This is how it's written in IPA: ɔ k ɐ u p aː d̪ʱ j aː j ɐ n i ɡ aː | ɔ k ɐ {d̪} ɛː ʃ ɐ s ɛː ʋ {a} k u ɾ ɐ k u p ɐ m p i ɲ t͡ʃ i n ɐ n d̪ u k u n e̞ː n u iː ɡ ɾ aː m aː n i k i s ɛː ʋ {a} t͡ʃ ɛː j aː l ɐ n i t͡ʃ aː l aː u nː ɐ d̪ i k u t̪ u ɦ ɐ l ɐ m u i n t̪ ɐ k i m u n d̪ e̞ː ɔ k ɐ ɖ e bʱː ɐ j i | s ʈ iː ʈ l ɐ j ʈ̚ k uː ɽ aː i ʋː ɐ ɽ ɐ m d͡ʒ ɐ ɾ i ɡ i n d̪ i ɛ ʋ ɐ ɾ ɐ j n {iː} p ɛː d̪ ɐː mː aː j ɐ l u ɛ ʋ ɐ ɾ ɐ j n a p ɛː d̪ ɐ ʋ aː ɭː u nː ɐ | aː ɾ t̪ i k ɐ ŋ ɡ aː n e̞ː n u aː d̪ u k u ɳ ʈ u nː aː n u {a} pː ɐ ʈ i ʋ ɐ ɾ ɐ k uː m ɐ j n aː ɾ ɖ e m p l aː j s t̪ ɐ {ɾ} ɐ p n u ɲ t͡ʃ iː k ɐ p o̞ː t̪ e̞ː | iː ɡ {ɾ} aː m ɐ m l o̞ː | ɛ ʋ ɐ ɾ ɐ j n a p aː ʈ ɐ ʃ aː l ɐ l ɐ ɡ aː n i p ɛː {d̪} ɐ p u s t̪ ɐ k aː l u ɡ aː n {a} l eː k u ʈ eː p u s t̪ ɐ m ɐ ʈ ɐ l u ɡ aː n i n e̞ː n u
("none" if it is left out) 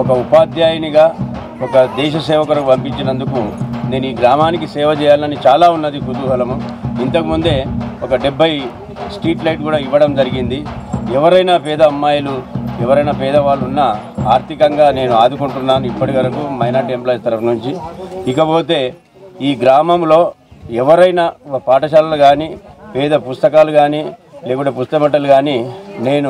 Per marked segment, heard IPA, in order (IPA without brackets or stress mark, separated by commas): d̪, ɐ, ɐ, aː, i, ɾ, ɾ, d̪, i